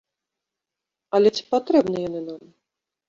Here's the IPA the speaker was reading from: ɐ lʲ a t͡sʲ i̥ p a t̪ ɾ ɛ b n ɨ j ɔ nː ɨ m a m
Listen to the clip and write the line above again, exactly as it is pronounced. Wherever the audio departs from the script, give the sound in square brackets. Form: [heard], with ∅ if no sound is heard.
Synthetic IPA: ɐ lʲ [ɛ] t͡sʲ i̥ p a t̪ ɾ ɛ b n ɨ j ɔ [n] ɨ [n] a m